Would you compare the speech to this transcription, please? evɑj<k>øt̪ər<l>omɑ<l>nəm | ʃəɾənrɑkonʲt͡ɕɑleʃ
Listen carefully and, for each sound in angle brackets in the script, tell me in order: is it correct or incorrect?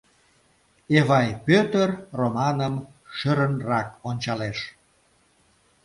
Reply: incorrect: p, incorrect: r, incorrect: none

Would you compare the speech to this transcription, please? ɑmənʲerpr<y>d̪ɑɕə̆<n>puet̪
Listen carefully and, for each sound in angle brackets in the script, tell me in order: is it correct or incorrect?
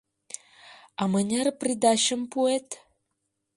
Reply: incorrect: i, incorrect: m

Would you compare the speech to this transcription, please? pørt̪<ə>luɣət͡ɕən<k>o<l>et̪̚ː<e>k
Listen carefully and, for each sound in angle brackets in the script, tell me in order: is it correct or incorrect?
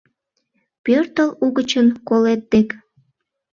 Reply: correct, correct, correct, correct

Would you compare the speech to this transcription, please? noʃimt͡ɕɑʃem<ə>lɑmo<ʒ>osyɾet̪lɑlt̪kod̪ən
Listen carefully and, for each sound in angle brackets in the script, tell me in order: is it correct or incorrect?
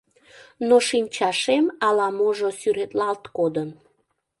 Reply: incorrect: ɑ, correct

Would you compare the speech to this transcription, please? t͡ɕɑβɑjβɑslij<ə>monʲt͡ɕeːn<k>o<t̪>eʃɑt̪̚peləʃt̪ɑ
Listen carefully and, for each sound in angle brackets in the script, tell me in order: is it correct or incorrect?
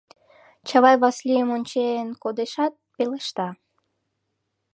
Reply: correct, correct, incorrect: d̪

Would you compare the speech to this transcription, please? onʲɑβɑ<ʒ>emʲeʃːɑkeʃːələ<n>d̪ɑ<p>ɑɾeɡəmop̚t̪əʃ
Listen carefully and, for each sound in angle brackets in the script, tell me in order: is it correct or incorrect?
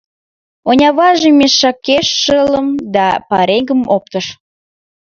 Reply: correct, incorrect: m, correct

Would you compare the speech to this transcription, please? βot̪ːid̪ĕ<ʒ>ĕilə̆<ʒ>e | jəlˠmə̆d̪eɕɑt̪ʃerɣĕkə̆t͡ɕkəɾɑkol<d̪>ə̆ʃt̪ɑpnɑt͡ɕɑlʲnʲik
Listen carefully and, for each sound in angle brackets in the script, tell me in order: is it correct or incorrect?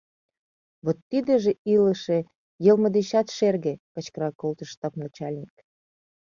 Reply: correct, incorrect: ʃ, incorrect: t̪

